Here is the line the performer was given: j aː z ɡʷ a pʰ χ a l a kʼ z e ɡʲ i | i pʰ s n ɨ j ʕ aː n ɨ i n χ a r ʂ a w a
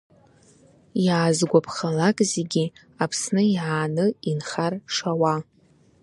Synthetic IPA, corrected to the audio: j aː z ɡʷ a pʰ χ a l a kʼ z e ɡʲ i | a pʰ s n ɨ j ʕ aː n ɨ i n χ a r ʂ a w a